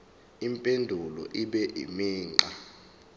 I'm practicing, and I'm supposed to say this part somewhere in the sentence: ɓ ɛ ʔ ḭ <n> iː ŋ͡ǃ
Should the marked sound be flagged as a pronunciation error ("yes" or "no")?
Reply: yes